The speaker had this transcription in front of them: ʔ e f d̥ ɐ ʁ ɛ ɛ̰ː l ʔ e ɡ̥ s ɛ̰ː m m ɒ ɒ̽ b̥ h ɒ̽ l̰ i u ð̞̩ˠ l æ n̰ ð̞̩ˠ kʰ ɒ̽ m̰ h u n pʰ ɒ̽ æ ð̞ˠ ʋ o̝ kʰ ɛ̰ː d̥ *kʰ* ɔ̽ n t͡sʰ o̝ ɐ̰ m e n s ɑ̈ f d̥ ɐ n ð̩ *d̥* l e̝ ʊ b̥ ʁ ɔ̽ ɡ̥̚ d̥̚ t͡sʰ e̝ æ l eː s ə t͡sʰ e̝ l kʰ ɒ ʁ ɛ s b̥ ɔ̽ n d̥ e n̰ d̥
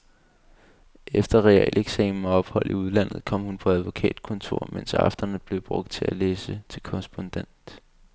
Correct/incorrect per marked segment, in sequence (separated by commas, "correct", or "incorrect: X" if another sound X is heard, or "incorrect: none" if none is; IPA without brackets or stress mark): correct, incorrect: b̥